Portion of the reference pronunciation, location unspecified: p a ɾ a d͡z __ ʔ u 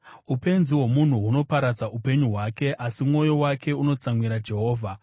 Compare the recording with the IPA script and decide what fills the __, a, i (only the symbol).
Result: a